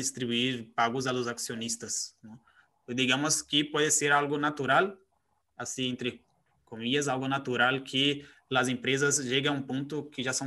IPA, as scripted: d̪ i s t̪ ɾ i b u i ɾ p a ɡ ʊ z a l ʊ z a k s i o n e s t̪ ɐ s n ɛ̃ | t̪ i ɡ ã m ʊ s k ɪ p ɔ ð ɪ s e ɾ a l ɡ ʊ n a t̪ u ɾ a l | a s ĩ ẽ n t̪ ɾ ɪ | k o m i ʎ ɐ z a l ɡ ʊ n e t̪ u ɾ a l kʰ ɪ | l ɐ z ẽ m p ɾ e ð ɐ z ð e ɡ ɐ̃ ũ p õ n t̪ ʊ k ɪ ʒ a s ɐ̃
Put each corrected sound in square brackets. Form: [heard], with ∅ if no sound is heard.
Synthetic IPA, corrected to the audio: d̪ i s t̪ ɾ i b u i ɾ p a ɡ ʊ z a l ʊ z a k s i o n [i] s t̪ ɐ s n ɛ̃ | [d̪] i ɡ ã m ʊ s k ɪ p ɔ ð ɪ s e ɾ a l ɡ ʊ n a t̪ u ɾ a l | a s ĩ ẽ n t̪ ɾ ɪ | k o m i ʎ ɐ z a l ɡ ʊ n [a] t̪ u ɾ a l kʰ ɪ | l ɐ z ẽ m p ɾ e [z] ɐ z [ʒ] e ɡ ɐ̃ ũ p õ n t̪ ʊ k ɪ ʒ a s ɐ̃